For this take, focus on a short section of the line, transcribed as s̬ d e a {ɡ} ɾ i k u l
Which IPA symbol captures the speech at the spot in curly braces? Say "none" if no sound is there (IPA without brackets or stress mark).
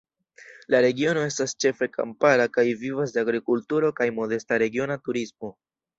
ɡ